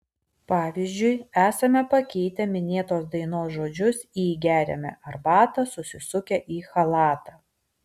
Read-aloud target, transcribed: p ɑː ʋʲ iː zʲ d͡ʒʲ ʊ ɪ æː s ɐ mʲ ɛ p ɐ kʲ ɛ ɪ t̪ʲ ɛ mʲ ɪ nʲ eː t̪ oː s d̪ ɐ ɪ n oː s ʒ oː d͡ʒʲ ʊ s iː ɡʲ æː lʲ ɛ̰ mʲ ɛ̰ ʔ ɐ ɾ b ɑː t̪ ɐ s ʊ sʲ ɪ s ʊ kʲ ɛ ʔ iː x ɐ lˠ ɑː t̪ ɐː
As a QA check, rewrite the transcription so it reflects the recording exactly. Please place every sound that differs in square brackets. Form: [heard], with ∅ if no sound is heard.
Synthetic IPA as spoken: p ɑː ʋʲ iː zʲ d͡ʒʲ ʊ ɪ æː s ɐ mʲ ɛ p ɐ kʲ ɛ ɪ t̪ʲ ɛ mʲ ɪ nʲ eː t̪ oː s d̪ ɐ ɪ n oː s ʒ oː d͡ʒʲ ʊ s iː ɡʲ æː [ɾʲ] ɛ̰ mʲ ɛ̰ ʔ ɐ ɾ b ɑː t̪ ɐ s ʊ sʲ ɪ s ʊ kʲ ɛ ʔ iː x ɐ lˠ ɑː t̪ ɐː